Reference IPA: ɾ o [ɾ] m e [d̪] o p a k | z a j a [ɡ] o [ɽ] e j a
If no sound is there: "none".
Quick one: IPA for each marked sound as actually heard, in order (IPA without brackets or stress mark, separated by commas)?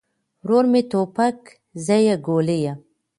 ɾ, t̪, ɡ, l